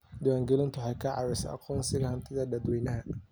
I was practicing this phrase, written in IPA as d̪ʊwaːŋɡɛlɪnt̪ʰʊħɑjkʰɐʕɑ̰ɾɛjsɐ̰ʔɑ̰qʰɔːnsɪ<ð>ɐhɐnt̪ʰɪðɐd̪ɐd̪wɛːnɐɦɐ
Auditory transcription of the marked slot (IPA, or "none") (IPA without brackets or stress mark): ɣ